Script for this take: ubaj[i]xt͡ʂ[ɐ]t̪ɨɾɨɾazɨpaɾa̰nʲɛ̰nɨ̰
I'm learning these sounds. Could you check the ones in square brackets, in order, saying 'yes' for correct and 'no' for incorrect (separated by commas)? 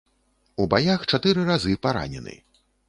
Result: no, no